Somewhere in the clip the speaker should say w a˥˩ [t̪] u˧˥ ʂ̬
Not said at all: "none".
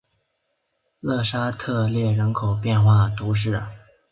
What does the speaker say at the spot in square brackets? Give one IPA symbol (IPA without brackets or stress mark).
t̪